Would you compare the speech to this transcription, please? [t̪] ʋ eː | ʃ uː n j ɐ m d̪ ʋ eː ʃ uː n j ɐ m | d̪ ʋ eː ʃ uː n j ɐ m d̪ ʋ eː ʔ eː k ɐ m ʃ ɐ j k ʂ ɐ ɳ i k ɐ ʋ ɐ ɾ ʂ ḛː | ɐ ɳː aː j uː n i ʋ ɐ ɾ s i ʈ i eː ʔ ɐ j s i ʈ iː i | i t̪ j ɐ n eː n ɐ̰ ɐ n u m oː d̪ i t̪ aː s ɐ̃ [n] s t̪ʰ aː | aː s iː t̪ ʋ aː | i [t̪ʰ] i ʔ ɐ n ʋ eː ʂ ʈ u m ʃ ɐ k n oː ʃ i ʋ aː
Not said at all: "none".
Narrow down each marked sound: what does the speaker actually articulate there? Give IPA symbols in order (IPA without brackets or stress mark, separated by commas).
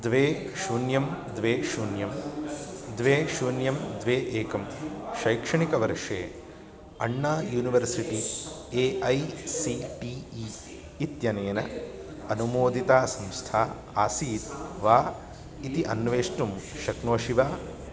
d̪, m, t̪